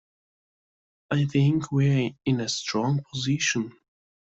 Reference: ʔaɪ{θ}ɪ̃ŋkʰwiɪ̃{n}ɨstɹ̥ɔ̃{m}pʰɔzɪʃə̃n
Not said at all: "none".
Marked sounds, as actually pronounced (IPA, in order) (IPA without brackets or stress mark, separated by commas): θ, n, ŋ